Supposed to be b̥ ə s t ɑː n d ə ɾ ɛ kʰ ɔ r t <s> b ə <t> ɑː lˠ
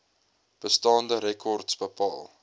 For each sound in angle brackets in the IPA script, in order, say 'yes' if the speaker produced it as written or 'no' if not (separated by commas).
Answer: yes, no